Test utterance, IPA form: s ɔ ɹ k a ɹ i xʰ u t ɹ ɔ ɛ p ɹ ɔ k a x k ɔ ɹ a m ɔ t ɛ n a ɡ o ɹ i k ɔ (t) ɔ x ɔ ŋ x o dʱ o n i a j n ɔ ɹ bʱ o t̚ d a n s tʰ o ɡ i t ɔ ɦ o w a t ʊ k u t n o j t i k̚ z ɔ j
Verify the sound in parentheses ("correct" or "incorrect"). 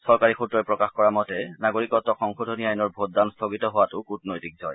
correct